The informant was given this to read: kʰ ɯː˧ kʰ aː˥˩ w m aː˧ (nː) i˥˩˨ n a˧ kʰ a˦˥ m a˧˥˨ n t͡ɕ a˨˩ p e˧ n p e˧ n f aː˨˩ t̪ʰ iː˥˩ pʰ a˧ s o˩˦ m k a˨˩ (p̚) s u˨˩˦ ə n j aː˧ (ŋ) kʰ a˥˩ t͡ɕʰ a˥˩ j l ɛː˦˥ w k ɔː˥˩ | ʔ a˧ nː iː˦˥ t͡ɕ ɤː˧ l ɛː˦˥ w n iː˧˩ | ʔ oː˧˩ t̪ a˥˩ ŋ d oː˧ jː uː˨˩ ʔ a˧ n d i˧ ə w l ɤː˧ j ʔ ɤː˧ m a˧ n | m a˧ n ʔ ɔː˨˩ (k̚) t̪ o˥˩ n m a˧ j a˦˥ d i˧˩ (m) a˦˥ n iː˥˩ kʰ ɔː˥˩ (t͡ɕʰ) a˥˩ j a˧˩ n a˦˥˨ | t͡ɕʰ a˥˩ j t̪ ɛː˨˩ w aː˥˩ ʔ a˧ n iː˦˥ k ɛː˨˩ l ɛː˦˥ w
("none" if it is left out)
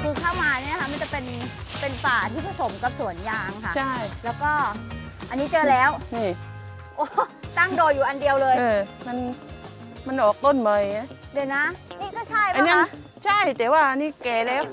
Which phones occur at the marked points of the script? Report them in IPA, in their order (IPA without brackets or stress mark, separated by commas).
n, p̚, ŋ, k̚, n, t͡ɕʰ